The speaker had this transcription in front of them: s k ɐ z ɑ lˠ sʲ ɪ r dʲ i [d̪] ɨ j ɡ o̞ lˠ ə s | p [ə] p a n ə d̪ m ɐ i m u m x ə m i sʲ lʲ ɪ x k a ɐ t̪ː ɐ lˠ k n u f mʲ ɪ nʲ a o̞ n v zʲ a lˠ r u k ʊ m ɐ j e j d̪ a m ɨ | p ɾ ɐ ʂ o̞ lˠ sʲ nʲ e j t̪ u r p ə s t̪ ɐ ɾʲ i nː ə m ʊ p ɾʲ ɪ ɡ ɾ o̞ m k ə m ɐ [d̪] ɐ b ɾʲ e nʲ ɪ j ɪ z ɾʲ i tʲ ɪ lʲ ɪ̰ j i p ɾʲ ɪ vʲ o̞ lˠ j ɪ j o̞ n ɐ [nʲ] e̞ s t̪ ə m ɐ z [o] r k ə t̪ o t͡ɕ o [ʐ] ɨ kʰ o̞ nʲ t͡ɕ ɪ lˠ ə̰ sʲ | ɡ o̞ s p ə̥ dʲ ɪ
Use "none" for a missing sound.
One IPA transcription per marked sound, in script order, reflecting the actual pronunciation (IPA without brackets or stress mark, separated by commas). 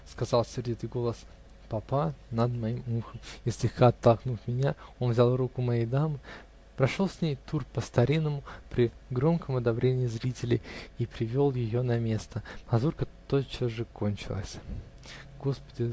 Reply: t̪, ɐ, d̪, mʲ, u, ʐ